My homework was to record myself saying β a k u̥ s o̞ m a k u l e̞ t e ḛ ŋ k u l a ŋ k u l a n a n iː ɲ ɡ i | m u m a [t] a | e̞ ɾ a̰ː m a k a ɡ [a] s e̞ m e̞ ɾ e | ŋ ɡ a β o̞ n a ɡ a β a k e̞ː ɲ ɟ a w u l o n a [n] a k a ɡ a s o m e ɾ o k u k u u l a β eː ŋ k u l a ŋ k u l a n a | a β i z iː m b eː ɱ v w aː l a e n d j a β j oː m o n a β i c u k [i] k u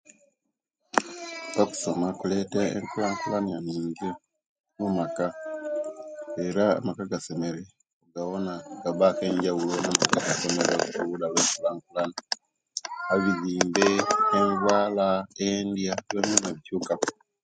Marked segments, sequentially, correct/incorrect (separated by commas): incorrect, correct, incorrect, incorrect